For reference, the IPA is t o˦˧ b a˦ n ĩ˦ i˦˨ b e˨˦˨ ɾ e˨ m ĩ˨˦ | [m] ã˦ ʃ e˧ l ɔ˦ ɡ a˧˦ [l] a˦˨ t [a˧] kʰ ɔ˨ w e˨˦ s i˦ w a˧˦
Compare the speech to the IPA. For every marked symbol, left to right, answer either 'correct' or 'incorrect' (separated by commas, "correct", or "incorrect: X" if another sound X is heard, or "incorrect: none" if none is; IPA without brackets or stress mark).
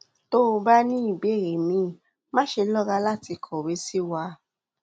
correct, correct, incorrect: i˧